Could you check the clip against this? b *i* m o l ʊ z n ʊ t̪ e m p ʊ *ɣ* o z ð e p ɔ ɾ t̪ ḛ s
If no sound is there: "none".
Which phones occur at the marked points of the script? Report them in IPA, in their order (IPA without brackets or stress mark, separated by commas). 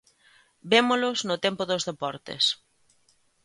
e, ð